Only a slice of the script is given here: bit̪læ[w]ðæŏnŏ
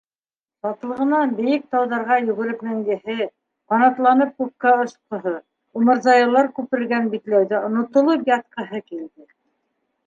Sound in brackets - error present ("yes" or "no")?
no